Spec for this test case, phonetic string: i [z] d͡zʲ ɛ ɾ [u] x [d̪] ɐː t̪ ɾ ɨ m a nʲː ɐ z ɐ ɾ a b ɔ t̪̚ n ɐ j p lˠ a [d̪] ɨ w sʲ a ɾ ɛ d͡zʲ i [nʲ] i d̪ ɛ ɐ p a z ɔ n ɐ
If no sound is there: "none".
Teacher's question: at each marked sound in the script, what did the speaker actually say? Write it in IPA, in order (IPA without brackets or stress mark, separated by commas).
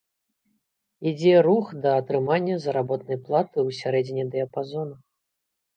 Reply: none, u, d̪, t̪, nʲ